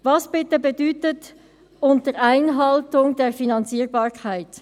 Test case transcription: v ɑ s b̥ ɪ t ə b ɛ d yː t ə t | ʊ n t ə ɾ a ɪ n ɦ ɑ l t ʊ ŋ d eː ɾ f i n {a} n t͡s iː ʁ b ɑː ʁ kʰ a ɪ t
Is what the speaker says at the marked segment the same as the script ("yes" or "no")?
no